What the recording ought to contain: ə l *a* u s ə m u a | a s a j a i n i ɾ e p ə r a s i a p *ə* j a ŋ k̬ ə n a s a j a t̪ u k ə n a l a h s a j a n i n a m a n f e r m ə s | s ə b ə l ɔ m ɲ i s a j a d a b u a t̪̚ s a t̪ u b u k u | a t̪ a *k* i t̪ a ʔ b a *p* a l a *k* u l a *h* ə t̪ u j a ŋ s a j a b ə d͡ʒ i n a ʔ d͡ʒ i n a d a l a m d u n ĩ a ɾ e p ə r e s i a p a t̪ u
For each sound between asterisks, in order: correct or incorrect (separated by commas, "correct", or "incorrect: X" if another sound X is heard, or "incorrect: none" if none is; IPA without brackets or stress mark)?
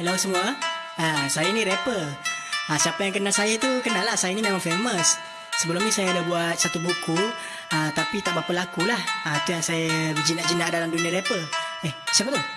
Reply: correct, incorrect: a, incorrect: p, correct, correct, correct